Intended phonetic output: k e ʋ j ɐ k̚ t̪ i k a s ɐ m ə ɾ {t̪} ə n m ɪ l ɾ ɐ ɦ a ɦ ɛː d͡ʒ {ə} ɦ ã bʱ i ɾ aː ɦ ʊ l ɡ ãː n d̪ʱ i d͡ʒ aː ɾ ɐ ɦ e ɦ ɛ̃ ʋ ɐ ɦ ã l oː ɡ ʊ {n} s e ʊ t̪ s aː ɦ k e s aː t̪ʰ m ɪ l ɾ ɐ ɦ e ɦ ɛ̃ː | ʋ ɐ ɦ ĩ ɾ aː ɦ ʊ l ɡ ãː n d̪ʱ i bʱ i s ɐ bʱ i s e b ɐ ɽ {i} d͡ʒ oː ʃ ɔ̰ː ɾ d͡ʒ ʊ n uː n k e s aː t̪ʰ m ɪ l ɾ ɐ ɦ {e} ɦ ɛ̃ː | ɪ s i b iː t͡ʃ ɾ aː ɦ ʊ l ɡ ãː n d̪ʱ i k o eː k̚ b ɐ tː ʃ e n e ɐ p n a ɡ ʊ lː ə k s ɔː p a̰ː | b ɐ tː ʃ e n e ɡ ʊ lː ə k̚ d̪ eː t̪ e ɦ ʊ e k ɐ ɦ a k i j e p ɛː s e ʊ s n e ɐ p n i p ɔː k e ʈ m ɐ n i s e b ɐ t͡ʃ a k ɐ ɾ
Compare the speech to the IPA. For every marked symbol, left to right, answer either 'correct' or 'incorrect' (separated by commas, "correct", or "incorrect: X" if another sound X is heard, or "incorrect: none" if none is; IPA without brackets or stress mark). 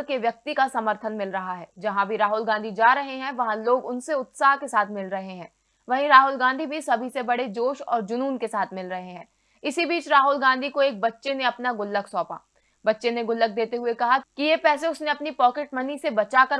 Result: incorrect: t̪ʰ, incorrect: ɐ, correct, incorrect: e, correct